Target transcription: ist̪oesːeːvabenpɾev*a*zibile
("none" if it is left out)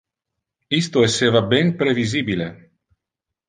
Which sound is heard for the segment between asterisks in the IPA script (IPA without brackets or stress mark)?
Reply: i